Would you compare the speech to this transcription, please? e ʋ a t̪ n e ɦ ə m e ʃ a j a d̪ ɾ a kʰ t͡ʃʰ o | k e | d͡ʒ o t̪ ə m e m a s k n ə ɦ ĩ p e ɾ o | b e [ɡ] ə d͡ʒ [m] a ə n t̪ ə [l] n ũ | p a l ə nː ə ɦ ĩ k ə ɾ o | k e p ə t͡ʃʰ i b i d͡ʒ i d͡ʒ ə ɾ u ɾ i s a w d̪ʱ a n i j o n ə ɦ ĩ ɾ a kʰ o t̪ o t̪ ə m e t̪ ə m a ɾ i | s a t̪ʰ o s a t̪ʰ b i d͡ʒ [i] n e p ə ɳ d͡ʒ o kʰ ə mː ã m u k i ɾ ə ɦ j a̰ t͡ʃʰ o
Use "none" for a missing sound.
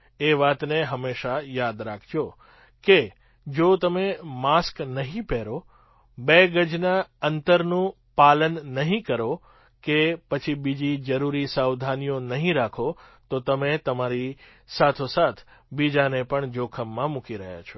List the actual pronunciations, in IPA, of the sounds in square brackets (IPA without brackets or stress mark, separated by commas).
ɡ, n, ɾ, a